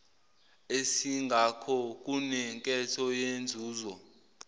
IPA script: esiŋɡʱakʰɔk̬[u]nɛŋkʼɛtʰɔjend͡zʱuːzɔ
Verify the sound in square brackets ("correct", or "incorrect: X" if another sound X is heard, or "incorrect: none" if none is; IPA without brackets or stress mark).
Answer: correct